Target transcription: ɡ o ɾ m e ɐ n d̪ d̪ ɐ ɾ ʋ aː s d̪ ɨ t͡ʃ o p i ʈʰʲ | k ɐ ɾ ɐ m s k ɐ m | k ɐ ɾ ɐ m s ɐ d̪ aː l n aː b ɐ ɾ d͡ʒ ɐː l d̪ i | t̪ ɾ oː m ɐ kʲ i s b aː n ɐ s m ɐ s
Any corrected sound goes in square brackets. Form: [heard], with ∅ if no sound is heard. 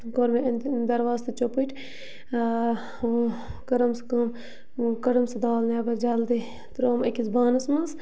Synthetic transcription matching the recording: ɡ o ɾ m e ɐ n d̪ d̪ ɐ ɾ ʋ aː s [t̪] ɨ t͡ʃ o p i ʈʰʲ | k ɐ ɾ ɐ m s k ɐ m | k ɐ ɾ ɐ m s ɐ d̪ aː l n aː b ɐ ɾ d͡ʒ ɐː l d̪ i | t̪ ɾ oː m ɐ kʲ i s b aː n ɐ s m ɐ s